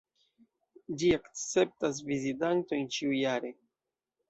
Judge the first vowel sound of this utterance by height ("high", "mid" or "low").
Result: high